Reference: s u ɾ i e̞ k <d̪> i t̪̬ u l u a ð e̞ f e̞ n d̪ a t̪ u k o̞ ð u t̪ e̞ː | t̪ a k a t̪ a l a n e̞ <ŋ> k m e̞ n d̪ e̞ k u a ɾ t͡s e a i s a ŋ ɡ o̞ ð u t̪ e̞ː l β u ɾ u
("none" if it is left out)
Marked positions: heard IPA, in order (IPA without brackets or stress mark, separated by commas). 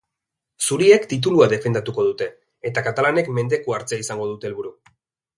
t̪, none